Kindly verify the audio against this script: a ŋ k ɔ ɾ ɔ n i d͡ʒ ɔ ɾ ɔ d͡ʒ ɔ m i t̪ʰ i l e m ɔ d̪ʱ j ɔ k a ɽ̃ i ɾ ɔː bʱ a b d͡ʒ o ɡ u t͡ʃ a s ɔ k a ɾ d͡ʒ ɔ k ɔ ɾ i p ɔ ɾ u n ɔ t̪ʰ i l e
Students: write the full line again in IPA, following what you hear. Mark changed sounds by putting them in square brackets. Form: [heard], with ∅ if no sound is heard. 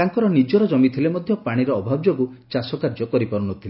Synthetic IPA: a ŋ k ɔ ɾ ɔ n i d͡ʒ ɔ ɾ ɔ d͡ʒ ɔ m i t̪ʰ i l e m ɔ d̪ʱ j ɔ [p] a ɽ̃ i ɾ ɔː bʱ a b d͡ʒ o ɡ u t͡ʃ a s ɔ k a ɾ d͡ʒ ɔ k ɔ ɾ i p ɔ ɾ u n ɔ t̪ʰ i l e